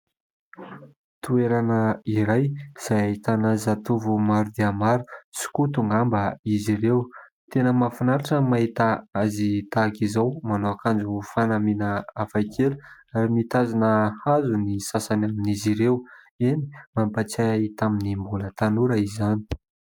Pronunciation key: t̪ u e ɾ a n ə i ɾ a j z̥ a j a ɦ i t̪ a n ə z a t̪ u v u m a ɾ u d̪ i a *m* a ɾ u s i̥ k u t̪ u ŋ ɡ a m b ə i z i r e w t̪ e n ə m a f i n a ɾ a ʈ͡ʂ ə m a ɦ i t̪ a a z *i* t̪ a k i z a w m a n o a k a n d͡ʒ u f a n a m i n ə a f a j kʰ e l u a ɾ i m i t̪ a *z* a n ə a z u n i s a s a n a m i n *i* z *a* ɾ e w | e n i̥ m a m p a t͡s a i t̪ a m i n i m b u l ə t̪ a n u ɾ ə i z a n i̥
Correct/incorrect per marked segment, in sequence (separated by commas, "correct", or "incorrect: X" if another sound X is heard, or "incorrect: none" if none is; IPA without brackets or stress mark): correct, correct, correct, correct, incorrect: i